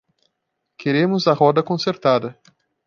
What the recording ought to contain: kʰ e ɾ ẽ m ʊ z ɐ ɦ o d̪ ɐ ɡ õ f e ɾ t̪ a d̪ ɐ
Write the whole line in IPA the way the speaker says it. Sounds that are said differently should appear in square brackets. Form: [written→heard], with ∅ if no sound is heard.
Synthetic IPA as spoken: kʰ e ɾ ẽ m ʊ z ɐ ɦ [o→ɔ] d̪ ɐ [ɡ→k] õ [f→s] e ɾ t̪ a d̪ ɐ